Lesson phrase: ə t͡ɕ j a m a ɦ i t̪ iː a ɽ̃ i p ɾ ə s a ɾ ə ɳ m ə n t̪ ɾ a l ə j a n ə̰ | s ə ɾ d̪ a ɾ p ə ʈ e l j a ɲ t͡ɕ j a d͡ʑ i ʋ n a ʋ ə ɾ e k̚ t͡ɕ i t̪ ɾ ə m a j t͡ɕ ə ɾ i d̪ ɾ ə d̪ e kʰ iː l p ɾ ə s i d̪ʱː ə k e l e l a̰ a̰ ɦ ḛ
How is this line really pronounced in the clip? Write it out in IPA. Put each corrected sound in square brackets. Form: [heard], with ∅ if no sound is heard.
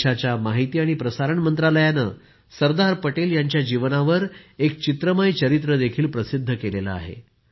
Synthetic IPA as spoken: [a] t͡ɕ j a m a ɦ i t̪ iː a ɽ̃ i p ɾ ə s a ɾ ə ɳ m ə n t̪ ɾ a l ə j a n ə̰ | s ə ɾ d̪ a ɾ p ə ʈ e l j a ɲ t͡ɕ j a d͡ʑ i ʋ n a ʋ ə ɾ e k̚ t͡ɕ i t̪ ɾ ə m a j t͡ɕ ə ɾ i [t̪] ɾ ə d̪ e kʰ iː l p ɾ ə s i d̪ʱː ə k e l e l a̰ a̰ ɦ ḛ